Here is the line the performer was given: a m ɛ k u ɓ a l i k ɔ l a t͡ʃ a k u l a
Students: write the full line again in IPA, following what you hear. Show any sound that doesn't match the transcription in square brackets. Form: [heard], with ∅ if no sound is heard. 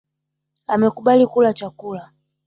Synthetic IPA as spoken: a m ɛ k u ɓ a l i k [u] l a t͡ʃ a k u l a